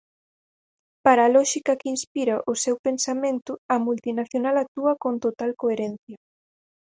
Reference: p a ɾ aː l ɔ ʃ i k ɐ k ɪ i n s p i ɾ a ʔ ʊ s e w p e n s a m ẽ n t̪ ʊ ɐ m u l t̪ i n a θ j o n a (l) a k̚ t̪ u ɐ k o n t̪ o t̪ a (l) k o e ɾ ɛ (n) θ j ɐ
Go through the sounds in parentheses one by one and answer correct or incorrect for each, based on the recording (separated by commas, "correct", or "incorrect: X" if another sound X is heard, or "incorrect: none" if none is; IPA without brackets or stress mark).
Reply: correct, correct, correct